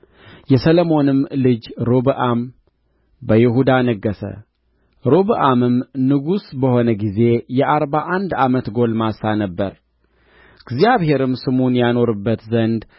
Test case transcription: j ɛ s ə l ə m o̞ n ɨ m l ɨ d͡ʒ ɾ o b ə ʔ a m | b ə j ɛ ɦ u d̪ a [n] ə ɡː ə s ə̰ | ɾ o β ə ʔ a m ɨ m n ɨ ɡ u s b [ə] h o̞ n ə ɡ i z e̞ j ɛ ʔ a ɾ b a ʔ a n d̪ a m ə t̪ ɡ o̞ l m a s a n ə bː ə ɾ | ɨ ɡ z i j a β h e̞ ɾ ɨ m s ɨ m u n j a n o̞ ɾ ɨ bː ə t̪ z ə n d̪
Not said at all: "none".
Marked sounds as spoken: n, ə

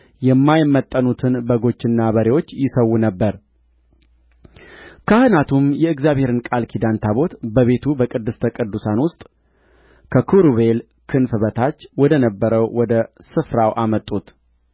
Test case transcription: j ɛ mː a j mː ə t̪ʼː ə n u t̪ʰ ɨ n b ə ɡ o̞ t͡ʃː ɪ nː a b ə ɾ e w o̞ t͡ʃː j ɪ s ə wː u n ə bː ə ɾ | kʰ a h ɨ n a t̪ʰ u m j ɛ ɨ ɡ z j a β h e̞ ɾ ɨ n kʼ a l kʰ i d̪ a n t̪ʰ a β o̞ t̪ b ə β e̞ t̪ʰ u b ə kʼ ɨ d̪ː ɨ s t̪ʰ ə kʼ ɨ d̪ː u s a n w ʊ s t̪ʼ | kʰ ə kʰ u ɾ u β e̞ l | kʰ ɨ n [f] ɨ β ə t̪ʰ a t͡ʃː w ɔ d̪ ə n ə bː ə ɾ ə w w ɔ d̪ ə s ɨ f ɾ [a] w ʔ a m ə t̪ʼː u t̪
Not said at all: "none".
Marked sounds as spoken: f, a

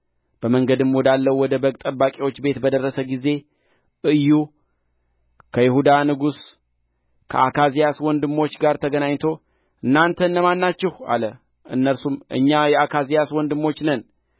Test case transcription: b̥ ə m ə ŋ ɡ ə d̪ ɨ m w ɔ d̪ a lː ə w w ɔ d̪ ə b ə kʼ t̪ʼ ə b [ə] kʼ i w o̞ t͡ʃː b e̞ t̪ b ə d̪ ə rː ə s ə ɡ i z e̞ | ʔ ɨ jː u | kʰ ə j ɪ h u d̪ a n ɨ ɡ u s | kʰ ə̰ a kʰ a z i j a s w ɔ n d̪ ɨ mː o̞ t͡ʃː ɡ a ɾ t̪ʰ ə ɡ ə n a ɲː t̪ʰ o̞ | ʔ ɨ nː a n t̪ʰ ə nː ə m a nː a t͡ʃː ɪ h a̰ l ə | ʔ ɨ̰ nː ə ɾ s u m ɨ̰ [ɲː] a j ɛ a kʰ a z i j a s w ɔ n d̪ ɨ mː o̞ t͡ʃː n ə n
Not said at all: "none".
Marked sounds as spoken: a, ɲː

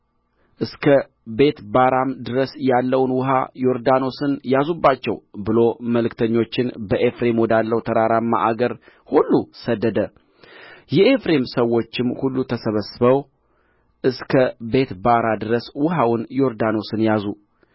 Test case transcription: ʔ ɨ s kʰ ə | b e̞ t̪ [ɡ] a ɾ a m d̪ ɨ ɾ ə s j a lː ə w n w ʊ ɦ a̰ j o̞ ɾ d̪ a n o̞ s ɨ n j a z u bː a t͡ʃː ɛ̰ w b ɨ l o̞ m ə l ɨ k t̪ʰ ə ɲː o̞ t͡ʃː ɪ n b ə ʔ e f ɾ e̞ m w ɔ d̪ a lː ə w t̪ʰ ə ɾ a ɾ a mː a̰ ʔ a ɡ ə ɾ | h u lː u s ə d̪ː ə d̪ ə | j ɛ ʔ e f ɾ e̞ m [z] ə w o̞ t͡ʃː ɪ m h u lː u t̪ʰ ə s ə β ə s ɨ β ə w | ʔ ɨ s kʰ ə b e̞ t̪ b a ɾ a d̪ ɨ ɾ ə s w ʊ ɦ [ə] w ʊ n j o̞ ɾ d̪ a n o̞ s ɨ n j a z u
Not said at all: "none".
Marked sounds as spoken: b, s, a

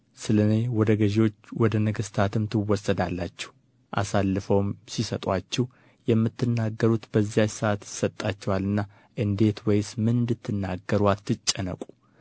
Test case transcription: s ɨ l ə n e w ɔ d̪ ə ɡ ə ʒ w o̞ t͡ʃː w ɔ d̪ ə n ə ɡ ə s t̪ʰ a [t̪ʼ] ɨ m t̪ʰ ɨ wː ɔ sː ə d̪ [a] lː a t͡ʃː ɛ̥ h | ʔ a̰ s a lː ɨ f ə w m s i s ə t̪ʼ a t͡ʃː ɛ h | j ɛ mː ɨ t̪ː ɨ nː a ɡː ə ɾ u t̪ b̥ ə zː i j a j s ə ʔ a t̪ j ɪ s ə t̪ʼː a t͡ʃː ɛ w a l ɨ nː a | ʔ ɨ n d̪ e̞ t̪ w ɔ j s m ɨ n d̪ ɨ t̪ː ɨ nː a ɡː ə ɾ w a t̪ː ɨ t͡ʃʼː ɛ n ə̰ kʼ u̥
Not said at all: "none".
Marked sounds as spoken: t̪, a

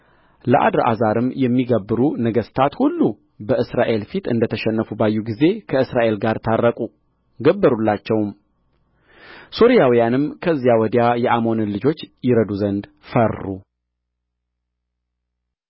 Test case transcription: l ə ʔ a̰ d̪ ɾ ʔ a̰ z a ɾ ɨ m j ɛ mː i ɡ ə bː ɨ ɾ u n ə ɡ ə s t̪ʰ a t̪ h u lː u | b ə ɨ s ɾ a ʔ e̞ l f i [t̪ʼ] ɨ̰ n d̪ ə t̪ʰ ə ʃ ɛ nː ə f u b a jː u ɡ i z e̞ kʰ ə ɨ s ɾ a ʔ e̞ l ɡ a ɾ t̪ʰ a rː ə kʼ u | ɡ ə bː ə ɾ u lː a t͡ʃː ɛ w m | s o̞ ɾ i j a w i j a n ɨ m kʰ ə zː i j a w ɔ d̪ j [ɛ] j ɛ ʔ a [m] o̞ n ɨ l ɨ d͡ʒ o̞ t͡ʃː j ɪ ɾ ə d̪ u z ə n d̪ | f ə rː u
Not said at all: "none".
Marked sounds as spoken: t̪, a, m

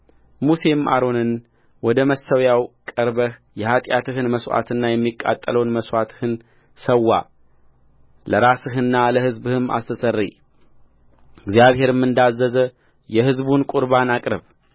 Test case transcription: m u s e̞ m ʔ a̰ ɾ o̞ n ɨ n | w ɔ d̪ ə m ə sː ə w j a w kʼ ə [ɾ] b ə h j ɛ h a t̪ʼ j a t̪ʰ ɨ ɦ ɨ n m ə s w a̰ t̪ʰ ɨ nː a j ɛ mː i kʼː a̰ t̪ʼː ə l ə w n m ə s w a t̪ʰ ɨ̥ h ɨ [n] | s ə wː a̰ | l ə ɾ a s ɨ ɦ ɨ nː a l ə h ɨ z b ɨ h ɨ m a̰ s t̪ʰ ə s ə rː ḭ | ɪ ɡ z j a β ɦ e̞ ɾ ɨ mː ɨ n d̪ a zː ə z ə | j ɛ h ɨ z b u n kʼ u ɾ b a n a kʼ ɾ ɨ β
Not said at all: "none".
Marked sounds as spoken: ɾ, n

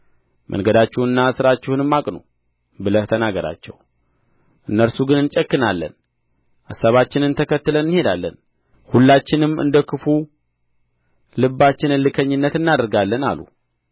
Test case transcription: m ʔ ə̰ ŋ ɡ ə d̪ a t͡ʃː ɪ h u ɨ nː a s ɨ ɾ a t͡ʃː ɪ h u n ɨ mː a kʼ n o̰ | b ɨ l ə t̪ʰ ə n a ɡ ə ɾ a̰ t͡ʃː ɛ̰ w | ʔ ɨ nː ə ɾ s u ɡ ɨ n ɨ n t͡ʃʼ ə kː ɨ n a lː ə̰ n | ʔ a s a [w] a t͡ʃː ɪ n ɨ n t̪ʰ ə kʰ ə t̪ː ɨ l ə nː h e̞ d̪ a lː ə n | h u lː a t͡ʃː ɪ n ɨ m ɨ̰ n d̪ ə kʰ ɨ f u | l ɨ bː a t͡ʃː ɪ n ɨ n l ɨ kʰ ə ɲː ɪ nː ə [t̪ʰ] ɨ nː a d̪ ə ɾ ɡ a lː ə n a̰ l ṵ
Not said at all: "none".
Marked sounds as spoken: β, t̪

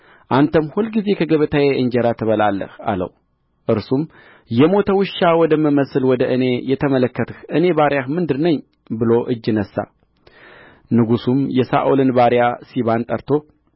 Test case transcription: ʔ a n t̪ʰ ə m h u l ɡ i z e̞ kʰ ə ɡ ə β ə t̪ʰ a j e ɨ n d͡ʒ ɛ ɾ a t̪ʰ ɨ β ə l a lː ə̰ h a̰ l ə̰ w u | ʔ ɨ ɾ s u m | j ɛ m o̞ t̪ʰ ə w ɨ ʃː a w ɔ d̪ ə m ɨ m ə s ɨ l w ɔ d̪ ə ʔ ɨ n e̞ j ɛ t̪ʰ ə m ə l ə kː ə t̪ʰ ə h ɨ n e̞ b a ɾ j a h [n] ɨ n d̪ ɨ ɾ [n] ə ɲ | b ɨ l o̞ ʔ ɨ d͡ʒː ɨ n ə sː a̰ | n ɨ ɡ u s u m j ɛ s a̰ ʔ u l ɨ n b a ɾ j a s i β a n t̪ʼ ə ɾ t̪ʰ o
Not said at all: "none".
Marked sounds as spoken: m, n

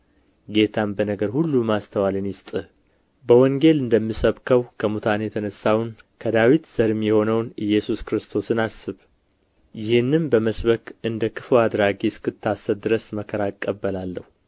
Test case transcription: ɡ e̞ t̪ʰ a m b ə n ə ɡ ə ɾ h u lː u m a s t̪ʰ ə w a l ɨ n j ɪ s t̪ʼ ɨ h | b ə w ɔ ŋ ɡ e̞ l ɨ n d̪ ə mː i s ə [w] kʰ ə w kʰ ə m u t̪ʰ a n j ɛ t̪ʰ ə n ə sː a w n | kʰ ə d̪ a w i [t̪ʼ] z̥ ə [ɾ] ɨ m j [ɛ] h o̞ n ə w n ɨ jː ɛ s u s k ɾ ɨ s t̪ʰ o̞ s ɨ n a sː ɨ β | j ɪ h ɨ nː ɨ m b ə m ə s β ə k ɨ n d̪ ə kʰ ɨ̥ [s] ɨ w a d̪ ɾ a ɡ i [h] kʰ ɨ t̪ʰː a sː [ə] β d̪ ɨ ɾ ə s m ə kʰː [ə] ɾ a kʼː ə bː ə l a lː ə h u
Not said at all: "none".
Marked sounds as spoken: β, t̪, ɾ, ɛ, f, s, ə, ə

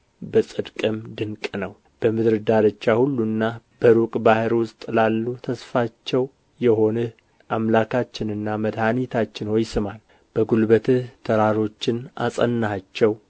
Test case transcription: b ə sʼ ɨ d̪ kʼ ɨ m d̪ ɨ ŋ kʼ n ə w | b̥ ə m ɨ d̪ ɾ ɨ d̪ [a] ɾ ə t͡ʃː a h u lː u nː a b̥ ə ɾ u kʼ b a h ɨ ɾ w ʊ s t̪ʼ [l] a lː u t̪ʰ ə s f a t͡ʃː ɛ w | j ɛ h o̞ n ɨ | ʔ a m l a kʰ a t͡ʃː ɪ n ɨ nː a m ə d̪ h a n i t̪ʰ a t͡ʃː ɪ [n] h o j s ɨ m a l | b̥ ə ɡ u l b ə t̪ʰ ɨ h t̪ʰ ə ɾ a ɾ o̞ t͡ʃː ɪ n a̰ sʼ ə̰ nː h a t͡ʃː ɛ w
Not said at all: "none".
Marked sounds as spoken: a, l, n

